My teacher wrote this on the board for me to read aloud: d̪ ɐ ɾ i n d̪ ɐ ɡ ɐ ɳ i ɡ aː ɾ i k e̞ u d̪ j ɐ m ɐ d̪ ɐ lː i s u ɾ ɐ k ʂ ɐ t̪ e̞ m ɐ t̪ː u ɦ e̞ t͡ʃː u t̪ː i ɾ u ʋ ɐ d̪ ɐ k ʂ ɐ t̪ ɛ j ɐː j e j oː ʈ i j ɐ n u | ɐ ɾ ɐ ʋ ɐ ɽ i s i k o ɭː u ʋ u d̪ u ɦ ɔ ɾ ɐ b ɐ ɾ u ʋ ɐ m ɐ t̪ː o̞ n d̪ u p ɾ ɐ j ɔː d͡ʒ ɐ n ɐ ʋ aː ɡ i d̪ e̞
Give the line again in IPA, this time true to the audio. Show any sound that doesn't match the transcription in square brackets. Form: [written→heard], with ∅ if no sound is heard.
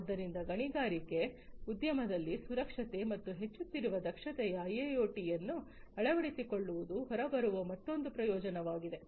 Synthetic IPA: [d̪→d̪ː] ɐ ɾ i n d̪ ɐ ɡ ɐ ɳ i ɡ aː ɾ i k e̞ u d̪ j ɐ m ɐ d̪ ɐ lː i s u ɾ ɐ k ʂ ɐ t̪ e̞ m ɐ t̪ː u ɦ e̞ t͡ʃː u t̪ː i ɾ u ʋ ɐ d̪ ɐ k ʂ ɐ t̪ ɛ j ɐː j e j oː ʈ i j ɐ [n→nː] u | ɐ [ɾ→ɭ] ɐ ʋ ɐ ɽ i s i k o ɭː u ʋ u d̪ u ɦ ɔ ɾ ɐ b ɐ ɾ u ʋ ɐ m ɐ t̪ː o̞ n d̪ u p ɾ ɐ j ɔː d͡ʒ ɐ n ɐ ʋ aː ɡ i d̪ e̞